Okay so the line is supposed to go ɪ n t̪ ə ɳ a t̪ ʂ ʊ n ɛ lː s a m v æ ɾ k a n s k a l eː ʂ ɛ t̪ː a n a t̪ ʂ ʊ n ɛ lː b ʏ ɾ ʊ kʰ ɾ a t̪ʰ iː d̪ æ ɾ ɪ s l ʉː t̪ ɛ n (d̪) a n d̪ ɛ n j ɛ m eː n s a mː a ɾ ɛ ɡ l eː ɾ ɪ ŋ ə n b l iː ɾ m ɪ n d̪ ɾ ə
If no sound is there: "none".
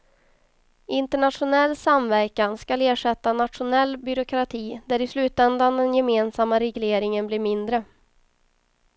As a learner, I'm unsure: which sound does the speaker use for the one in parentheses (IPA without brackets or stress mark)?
d̪